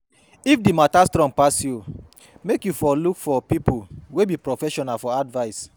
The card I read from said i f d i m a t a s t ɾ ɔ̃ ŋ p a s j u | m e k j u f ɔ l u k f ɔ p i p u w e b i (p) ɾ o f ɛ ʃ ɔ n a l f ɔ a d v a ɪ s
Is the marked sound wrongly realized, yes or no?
no